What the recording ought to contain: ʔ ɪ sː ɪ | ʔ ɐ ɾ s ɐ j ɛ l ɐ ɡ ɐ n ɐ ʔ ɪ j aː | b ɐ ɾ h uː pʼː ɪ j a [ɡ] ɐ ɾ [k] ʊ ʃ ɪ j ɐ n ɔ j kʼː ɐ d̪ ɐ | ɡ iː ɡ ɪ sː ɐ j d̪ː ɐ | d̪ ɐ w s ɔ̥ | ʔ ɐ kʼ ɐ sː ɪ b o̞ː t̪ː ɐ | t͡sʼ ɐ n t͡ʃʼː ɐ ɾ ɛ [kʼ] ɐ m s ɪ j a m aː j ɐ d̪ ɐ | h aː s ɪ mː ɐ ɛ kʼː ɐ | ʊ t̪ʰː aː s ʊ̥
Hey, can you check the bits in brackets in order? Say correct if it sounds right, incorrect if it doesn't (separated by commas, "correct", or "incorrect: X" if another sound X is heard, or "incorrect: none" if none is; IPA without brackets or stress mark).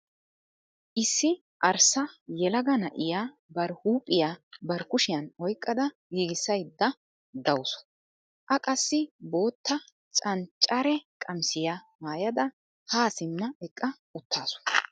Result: incorrect: b, correct, correct